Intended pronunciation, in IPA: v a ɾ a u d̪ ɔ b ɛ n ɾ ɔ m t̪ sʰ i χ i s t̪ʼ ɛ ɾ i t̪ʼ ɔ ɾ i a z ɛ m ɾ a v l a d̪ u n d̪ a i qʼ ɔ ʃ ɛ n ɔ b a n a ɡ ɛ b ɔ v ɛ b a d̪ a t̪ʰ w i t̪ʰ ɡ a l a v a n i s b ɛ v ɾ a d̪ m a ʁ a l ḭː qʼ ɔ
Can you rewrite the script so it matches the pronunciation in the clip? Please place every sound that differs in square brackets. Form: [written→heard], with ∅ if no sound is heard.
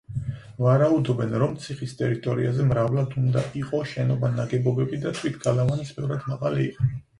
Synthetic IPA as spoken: v a ɾ a u d̪ ɔ b ɛ n ɾ ɔ m t̪ sʰ i χ i s t̪ʼ ɛ ɾ i t̪ʼ ɔ ɾ i a z ɛ m ɾ a v l a d̪ u n d̪ a i qʼ ɔ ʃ ɛ n ɔ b a n a ɡ ɛ b ɔ [v→b] ɛ b [a→i] d̪ a t̪ʰ w i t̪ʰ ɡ a l a v a n i s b ɛ v ɾ a d̪ m a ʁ a l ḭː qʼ ɔ

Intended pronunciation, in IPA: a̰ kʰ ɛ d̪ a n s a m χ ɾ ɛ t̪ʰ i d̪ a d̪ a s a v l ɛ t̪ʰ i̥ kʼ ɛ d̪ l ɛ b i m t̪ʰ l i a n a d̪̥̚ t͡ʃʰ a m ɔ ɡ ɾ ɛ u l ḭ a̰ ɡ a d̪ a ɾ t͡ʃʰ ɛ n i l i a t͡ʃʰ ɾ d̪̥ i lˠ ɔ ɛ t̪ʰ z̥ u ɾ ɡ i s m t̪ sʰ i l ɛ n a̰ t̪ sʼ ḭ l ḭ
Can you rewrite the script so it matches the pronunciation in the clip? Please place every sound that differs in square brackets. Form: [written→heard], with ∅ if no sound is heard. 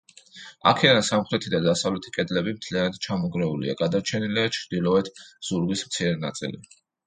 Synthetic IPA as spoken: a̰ kʰ ɛ d̪ a n s a m χ ɾ ɛ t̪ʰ i d̪ a d̪ a s a v l ɛ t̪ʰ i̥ kʼ ɛ d̪ l ɛ b i m t̪ʰ l i a n a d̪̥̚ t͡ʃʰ a m ɔ ɡ ɾ ɛ u l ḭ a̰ ɡ a d̪ a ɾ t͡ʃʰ ɛ n i l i a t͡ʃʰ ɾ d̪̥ i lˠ ɔ ɛ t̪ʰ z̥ u ɾ ɡ i s m t̪ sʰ i [l→ɾ] ɛ n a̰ t̪ sʼ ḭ l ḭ

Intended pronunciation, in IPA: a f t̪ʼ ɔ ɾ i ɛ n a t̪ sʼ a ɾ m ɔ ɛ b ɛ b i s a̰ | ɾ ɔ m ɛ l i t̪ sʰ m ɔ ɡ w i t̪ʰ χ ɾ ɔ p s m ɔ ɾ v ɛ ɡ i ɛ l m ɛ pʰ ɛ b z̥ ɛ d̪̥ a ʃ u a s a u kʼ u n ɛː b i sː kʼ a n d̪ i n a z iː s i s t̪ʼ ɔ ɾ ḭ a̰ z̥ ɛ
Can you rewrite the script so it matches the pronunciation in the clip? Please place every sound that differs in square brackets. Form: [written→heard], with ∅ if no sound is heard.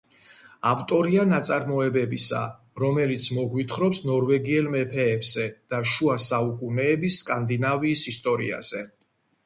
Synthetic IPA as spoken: a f t̪ʼ ɔ ɾ i [ɛ→a] n a t̪ sʼ a ɾ m ɔ ɛ b ɛ b i s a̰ | ɾ ɔ m ɛ l i t̪ sʰ m ɔ ɡ w i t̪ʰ χ ɾ ɔ p s [m→n] ɔ ɾ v ɛ ɡ i ɛ l m ɛ pʰ [ɛ→ɛː] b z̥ ɛ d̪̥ a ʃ u a s a u kʼ u n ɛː b i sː kʼ a n d̪ i n a [z→v] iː s i s t̪ʼ ɔ ɾ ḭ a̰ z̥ ɛ

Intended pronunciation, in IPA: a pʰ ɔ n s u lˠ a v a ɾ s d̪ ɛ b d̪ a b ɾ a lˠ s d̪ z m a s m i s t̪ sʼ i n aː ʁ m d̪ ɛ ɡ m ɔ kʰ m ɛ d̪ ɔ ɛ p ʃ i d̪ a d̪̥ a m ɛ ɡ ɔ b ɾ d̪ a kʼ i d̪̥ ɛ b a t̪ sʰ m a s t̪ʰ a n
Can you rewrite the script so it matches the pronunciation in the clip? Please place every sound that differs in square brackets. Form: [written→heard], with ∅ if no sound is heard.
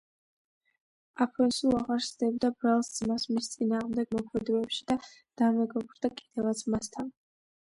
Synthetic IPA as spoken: a pʰ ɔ n s u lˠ a [v→ʁ] a ɾ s d̪ ɛ b d̪ a b ɾ a lˠ s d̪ z m a s m i s t̪ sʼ i n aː ʁ m d̪ ɛ ɡ m ɔ kʰ m ɛ d̪ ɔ ɛ p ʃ i d̪ a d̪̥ a m ɛ ɡ ɔ b ɾ d̪ a kʼ i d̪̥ ɛ [b→v] a t̪ sʰ m a s t̪ʰ a n

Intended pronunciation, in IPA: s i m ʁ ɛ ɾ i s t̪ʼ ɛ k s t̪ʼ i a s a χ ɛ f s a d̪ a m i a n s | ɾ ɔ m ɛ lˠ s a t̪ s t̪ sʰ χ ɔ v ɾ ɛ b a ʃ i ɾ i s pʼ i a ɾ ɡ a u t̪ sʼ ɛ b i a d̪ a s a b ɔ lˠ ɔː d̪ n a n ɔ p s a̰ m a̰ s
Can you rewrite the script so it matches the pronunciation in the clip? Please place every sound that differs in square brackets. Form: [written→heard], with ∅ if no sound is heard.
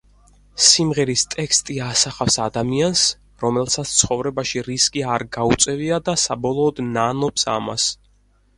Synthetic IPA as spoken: s i m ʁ ɛ ɾ i s t̪ʼ ɛ k s t̪ʼ i a s a χ [ɛ→a] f s a d̪ a m i a n s | ɾ ɔ m ɛ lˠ s a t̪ s t̪ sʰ χ ɔ v ɾ ɛ b a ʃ i ɾ i s [pʼ→kʼ] i a ɾ ɡ a u t̪ sʼ ɛ [b→v] i a d̪ a s a b ɔ lˠ ɔː d̪ n a n ɔ p s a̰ m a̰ s

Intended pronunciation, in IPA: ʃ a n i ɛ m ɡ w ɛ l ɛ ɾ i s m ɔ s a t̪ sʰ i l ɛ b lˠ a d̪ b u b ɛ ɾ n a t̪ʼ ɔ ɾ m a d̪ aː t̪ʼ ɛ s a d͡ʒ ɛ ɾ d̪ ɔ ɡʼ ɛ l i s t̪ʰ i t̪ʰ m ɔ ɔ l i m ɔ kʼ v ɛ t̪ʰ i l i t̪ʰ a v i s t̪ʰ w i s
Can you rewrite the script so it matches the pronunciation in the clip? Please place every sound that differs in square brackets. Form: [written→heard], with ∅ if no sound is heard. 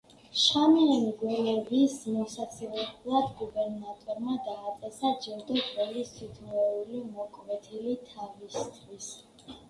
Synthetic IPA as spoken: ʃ a [n→m] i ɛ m ɡ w ɛ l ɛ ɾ i s m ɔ s a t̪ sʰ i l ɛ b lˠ a d̪ [b→ɡ] u b ɛ ɾ n a t̪ʼ ɔ ɾ m a d̪ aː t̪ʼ ɛ s a d͡ʒ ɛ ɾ d̪ ɔ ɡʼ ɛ l i s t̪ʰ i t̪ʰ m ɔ [ɔ→u] l i m ɔ kʼ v ɛ t̪ʰ i l i t̪ʰ a v i s t̪ʰ w i s

